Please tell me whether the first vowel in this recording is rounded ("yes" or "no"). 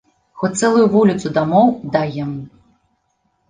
yes